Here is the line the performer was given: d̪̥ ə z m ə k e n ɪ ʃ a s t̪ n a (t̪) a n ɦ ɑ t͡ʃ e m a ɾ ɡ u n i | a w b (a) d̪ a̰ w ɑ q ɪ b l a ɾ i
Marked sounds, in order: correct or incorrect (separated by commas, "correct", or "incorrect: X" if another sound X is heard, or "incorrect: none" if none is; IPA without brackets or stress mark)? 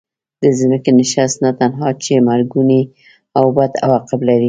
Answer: correct, correct